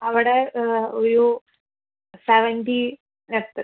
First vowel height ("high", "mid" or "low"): low